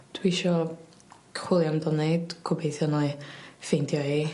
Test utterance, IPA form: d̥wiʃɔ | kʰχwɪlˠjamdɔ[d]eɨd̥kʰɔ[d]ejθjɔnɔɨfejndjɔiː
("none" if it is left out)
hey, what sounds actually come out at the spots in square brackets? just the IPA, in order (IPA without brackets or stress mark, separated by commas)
n, b